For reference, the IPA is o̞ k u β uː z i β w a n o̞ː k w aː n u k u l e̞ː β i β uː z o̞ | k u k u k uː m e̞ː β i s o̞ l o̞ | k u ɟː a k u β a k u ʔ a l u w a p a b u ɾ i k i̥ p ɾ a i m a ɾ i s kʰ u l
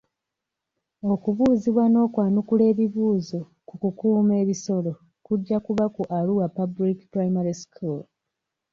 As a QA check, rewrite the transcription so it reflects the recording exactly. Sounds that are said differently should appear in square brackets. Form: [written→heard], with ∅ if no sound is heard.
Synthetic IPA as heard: o̞ k u β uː z i β w a n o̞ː k w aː n u k u l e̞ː β i β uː z o̞ | k u k u k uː m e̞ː β i s o̞ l o̞ | k u ɟː a k u β a k u ʔ a l u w a p a b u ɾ i k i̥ p ɾ a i m a ɾ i s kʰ u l